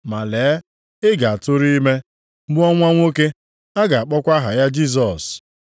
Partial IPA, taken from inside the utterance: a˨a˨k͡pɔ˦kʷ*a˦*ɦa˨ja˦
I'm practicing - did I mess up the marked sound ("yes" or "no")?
no